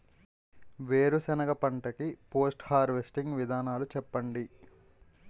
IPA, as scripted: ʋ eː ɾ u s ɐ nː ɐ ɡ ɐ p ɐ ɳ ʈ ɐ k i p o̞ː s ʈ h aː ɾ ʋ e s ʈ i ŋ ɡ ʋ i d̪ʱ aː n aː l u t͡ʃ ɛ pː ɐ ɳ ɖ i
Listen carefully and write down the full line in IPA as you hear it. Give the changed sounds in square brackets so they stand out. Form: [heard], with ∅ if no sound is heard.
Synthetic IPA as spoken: ʋ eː ɾ u s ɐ [n] ɐ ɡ ɐ p ɐ ɳ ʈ ɐ k i p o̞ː s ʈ h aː ɾ ʋ e s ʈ i ŋ ɡ ʋ i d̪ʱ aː n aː l u t͡ʃ ɛ pː ɐ ɳ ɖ i